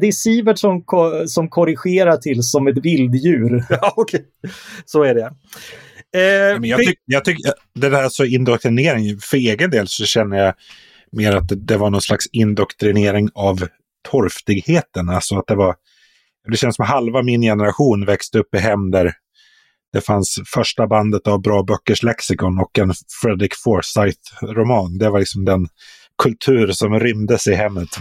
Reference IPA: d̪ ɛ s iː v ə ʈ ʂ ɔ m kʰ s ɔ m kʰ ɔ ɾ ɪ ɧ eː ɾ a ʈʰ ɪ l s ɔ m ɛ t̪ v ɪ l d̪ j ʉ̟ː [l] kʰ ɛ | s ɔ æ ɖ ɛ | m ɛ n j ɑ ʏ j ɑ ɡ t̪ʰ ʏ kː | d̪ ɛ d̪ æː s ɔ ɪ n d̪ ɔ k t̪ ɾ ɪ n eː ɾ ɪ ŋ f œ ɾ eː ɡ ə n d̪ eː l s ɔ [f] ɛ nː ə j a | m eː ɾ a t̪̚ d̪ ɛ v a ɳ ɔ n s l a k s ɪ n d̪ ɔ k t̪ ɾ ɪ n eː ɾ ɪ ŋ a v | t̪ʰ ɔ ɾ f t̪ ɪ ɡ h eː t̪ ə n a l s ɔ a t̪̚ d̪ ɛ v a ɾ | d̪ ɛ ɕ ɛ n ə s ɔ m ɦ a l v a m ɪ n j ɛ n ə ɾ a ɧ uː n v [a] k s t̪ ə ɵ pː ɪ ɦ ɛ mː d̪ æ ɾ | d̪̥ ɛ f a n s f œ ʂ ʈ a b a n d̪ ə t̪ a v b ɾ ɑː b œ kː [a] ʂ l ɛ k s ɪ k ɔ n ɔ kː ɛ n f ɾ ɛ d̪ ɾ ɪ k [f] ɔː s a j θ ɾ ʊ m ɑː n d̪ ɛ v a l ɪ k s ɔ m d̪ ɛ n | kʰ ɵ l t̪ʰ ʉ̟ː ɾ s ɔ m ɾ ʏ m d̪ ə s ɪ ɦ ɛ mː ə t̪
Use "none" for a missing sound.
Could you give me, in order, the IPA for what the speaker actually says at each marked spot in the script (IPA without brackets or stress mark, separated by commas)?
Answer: ɾ, ɕ, ɛ, ə, f